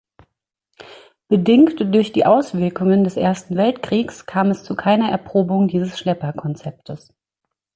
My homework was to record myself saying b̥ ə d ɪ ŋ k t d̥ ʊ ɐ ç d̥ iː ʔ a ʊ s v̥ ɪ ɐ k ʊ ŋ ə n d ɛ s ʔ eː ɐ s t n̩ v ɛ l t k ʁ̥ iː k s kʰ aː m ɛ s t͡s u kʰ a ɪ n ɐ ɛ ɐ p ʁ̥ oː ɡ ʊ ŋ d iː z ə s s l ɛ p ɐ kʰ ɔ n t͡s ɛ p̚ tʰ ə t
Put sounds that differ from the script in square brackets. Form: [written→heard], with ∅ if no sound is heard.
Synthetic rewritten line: b̥ ə d ɪ ŋ k t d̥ ʊ ɐ ç d̥ iː ʔ a ʊ s v̥ ɪ ɐ k ʊ ŋ ə n d ɛ s ʔ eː ɐ s t n̩ v ɛ l t k ʁ̥ iː k s kʰ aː m ɛ s t͡s u kʰ a ɪ n ɐ ɛ ɐ p ʁ̥ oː [ɡ→b] ʊ ŋ d iː z ə s [s→ʃ] l ɛ p ɐ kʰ ɔ n t͡s ɛ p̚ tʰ ə [t→s]